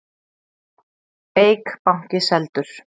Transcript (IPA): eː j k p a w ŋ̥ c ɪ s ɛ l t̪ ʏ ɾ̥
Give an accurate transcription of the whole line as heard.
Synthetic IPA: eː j k p a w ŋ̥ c ɪ s ɛ l t̪ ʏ ɾ̥